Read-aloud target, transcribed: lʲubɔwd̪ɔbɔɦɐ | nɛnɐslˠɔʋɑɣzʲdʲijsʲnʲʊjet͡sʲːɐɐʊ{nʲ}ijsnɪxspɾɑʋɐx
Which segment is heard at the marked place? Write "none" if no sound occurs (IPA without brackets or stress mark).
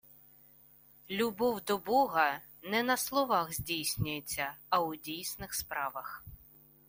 dʲ